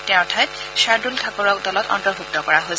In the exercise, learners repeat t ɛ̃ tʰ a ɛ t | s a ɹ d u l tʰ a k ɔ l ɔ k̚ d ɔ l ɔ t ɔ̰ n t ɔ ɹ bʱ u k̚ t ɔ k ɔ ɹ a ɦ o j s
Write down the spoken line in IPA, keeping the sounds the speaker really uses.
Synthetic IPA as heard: t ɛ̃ tʰ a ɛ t | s a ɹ d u l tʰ a k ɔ ɹ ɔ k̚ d ɔ l ɔ t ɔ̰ n t ɔ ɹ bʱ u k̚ t ɔ k ɔ ɹ a ɦ o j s